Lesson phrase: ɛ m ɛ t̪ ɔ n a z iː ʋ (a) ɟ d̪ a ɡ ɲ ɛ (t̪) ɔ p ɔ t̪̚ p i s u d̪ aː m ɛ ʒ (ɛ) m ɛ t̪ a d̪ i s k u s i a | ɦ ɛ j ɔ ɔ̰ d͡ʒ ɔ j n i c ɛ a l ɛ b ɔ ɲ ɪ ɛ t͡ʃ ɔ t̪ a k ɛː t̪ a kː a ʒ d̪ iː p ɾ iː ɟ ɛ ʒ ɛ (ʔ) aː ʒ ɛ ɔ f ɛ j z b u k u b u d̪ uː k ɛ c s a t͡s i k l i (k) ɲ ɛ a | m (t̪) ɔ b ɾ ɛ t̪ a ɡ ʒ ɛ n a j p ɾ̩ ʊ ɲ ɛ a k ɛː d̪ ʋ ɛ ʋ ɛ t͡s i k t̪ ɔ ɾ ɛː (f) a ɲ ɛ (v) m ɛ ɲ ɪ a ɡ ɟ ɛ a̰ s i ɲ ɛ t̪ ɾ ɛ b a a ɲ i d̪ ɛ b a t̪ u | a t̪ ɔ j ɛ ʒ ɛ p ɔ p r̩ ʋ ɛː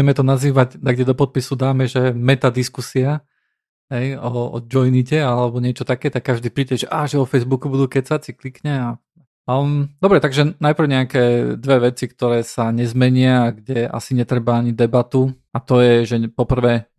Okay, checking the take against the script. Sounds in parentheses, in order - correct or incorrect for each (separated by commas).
correct, incorrect, correct, correct, correct, incorrect, incorrect, incorrect